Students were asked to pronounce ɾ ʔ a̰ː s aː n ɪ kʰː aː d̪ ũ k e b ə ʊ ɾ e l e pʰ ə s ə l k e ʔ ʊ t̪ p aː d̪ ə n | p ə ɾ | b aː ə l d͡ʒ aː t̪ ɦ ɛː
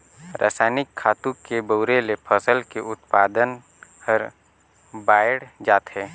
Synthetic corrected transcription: ɾ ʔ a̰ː s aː n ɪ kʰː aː t̪ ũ k e b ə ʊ ɾ e l e pʰ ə s ə l k e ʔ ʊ t̪ p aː d̪ ə n | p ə ɾ | b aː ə ɽ d͡ʒ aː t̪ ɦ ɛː